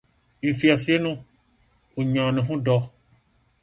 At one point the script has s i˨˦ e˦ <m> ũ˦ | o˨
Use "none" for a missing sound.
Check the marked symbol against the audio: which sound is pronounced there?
n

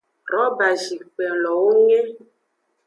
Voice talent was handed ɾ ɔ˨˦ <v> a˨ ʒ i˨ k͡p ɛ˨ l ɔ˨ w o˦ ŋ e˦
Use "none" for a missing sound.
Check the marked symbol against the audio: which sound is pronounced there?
b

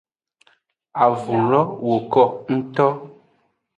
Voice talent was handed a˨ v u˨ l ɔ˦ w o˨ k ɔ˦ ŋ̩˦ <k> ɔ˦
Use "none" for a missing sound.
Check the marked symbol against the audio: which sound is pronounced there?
t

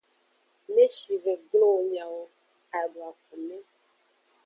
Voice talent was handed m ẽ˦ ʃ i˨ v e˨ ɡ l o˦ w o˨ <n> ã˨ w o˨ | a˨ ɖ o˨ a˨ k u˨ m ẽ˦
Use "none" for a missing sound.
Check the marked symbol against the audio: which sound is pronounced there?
ɲ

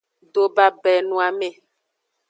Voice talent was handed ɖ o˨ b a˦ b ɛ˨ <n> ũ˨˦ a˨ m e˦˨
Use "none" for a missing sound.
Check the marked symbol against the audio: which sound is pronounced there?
n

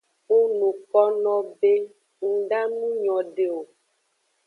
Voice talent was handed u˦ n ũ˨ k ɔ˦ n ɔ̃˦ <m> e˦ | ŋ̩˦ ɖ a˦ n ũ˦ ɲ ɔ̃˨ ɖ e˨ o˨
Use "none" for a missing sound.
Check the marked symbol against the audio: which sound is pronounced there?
b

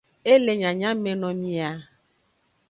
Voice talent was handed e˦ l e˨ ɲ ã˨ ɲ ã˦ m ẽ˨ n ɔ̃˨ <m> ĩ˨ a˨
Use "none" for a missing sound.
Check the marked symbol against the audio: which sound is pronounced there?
m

